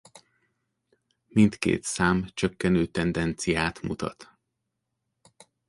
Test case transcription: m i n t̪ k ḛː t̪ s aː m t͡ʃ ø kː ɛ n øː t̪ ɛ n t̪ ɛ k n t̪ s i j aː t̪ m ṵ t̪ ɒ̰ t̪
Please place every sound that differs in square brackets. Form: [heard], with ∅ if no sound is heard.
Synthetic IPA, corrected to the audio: m i n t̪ k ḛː t̪ s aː m t͡ʃ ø kː ɛ n øː t̪ ɛ n [d̪] ɛ [∅] n t̪ s i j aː t̪ m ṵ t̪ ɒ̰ t̪